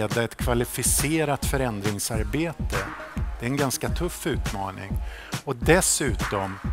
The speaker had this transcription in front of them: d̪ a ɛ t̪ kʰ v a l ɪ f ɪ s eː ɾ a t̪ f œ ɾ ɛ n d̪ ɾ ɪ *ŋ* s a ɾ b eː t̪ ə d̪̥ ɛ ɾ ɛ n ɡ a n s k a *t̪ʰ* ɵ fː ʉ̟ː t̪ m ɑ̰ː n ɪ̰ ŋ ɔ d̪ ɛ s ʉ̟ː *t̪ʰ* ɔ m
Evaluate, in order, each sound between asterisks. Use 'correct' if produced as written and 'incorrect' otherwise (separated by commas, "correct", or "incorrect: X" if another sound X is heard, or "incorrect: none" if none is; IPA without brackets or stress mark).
correct, correct, incorrect: t̪